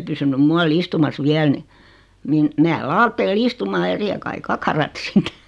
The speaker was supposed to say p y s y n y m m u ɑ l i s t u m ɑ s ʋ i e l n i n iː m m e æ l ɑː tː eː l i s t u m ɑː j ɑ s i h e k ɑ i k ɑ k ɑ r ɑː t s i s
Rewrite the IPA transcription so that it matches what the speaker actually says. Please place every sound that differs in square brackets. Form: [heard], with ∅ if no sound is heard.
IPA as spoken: p y s y n y m m u ɑ l i s t u m ɑ s ʋ i [æ] l n i n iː [n] m e æ l ɑː tː eː l i s t u m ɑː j ɑ s i h e k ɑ i k ɑ k ɑ r [ɑ] t s i [t]